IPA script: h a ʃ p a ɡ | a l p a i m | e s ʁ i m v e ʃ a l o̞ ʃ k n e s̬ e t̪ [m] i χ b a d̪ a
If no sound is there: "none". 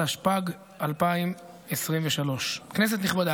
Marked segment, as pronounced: n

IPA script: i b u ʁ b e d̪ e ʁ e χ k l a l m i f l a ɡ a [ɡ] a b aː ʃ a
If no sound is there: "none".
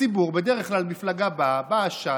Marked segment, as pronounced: b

